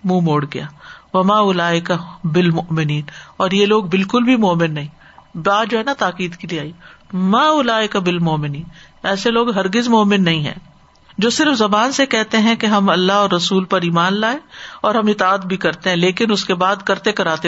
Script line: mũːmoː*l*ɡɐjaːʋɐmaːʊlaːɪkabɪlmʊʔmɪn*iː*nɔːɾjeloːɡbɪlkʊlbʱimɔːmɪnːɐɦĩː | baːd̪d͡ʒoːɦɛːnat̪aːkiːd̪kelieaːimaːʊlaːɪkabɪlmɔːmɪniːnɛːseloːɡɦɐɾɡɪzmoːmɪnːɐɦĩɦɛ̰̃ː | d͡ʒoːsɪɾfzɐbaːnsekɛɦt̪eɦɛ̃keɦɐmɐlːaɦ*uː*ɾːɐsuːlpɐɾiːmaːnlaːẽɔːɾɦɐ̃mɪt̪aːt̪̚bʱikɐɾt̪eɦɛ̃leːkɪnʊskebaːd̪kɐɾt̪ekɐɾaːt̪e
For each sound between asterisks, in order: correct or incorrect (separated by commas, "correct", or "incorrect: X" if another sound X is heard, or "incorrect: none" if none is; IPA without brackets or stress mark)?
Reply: incorrect: ɽ, correct, incorrect: ɔː